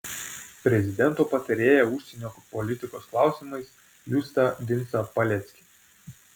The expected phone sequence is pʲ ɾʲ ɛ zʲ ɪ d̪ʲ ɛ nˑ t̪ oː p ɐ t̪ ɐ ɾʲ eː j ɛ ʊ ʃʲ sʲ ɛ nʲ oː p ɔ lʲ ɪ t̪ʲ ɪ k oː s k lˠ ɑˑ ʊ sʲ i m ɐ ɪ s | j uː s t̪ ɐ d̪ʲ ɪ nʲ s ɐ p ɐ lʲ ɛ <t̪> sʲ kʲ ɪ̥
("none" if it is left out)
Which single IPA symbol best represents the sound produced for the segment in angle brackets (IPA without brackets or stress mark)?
t̪